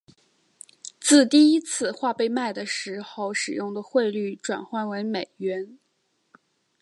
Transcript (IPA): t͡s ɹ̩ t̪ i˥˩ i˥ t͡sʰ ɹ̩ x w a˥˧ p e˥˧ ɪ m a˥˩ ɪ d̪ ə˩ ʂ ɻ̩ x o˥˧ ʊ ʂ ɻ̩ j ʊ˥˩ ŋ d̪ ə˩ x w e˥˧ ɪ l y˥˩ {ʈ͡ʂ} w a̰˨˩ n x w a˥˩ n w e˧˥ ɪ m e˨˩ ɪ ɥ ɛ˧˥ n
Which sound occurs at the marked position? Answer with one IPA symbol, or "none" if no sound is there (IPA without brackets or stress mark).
ʈ͡ʂ